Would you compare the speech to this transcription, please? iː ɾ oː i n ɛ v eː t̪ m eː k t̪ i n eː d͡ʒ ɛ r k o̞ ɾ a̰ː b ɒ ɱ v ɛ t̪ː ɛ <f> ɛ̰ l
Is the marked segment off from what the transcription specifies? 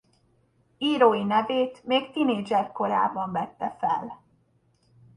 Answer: no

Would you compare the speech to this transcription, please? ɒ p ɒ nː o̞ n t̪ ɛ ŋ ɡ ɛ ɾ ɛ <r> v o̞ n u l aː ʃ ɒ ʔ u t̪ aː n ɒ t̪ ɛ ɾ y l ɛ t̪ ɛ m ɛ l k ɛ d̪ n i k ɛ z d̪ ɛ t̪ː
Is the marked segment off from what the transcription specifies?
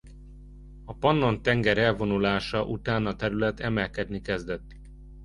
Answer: yes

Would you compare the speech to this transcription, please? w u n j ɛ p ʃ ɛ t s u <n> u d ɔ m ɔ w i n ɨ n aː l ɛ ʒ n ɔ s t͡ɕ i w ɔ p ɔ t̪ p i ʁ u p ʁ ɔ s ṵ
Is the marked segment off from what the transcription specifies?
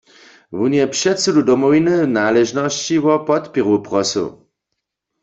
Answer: yes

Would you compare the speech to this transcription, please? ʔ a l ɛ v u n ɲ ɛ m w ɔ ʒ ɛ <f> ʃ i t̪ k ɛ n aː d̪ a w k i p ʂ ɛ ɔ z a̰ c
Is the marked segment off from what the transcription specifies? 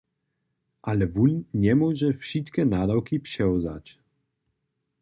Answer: no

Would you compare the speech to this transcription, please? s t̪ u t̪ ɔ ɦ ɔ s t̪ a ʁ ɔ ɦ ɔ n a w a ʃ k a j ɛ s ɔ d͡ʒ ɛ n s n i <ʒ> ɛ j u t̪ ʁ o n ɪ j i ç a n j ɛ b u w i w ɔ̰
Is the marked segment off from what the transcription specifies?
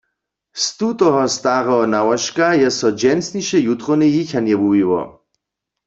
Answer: yes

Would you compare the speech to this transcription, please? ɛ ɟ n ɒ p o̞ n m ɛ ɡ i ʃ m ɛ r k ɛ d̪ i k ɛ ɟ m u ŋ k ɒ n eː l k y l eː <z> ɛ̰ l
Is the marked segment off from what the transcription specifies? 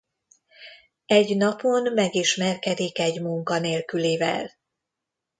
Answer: yes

